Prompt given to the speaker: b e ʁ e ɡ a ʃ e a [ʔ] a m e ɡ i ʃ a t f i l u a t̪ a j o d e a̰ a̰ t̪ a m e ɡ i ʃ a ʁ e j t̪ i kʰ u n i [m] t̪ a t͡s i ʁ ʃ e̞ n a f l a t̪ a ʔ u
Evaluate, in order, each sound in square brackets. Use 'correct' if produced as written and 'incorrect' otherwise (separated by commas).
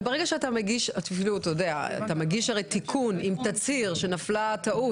incorrect, correct